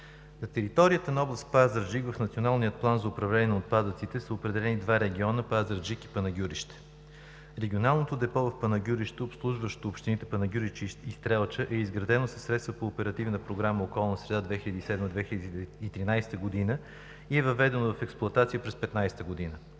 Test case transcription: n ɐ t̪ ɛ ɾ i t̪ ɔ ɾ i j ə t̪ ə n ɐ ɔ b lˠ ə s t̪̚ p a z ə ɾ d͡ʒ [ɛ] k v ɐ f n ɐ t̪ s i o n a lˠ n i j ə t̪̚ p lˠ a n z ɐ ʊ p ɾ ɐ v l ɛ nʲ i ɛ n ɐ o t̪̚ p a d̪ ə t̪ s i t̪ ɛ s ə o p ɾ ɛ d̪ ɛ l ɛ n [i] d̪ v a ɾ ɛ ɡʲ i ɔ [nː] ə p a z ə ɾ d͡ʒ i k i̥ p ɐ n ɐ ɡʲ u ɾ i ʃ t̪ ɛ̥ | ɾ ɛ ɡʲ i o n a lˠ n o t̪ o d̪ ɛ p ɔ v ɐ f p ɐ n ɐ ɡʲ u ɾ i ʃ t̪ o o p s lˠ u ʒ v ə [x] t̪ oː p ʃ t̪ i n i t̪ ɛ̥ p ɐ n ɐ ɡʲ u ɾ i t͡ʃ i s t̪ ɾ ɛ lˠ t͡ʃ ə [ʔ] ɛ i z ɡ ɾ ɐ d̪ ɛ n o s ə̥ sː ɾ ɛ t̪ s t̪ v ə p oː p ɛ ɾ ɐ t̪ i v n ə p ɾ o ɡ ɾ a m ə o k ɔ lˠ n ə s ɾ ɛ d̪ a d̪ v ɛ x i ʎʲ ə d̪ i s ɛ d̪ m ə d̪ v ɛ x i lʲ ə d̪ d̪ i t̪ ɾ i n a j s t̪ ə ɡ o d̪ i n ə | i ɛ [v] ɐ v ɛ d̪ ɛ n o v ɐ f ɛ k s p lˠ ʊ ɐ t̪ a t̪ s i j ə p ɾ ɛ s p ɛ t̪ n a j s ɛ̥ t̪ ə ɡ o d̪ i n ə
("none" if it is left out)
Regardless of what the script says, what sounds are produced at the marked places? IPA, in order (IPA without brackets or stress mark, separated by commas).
i, i, n, ʃ, ʔ, v